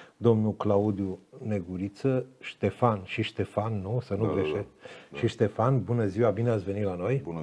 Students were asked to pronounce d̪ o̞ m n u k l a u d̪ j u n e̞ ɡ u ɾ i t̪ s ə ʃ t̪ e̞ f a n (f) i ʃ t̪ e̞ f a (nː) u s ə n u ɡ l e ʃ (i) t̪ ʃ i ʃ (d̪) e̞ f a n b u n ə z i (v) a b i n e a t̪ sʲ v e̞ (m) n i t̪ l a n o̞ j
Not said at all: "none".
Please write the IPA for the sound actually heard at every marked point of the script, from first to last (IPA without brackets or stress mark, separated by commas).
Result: ʃ, nː, e, t̪, w, none